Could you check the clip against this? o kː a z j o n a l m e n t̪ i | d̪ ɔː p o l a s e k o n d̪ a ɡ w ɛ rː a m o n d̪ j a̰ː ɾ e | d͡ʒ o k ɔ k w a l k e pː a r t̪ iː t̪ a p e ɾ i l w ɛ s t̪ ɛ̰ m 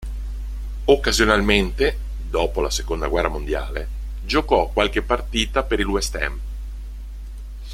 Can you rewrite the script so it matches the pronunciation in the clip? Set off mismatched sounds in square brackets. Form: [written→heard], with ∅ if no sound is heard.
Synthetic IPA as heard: o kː a z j o n a l m e n t̪ [i→e] | d̪ ɔː p o l a s e k o n d̪ a ɡ w ɛ rː a m o n d̪ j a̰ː [ɾ→l] e | d͡ʒ o k ɔ k w a l k e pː a r t̪ iː t̪ a p e ɾ i l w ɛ s t̪ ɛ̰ m